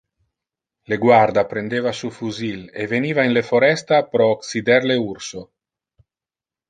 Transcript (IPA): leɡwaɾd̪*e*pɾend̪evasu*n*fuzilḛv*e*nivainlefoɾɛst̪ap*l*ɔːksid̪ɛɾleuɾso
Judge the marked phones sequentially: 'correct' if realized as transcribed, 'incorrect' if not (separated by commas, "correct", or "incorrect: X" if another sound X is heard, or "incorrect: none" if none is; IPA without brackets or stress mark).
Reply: incorrect: a, incorrect: none, correct, incorrect: ɾ